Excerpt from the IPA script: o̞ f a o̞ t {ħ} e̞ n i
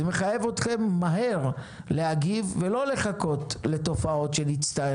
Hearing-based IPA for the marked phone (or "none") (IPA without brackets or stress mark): ʃ